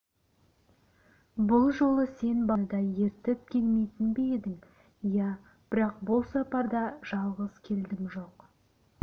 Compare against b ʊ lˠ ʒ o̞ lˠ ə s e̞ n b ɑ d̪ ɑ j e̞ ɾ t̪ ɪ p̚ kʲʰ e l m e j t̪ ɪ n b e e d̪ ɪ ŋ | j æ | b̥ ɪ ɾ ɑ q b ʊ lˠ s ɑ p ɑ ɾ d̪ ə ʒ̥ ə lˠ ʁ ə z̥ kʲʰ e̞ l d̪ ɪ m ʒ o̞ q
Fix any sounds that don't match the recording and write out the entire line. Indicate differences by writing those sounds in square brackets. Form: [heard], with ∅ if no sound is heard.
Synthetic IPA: b ʊ lˠ ʒ o̞ lˠ ə s e̞ n b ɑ d̪ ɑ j e̞ ɾ t̪ ɪ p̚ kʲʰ e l m e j t̪ ɪ n b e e d̪ ɪ ŋ | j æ | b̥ ɪ ɾ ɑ q b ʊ lˠ s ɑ p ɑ ɾ d̪ [ɑ] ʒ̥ [ɑ] lˠ ʁ ə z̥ kʲʰ e̞ l d̪ ɪ m ʒ o̞ q